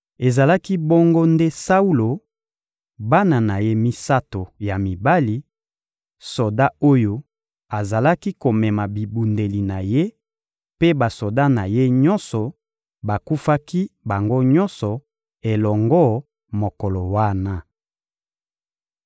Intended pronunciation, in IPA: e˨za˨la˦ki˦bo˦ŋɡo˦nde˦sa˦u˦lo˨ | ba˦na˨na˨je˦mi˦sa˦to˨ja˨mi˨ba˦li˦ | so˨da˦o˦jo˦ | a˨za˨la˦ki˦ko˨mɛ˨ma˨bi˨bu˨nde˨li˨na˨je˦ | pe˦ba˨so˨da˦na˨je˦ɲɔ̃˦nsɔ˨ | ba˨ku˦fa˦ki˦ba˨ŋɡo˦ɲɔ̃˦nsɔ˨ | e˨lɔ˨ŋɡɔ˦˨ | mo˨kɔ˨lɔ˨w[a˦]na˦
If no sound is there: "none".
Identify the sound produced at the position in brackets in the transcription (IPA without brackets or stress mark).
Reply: a˦